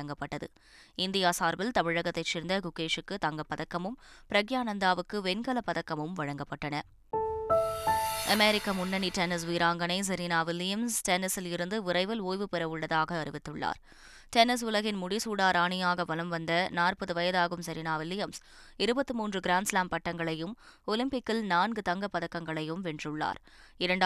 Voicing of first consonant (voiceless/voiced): voiced